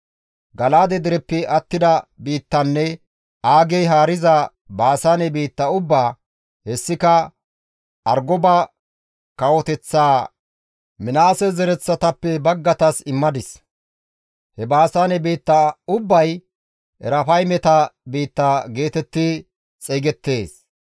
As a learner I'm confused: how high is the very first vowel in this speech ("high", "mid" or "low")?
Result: low